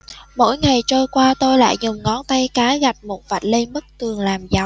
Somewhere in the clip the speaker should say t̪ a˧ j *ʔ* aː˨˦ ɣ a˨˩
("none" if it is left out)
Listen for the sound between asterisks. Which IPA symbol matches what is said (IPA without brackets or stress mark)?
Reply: k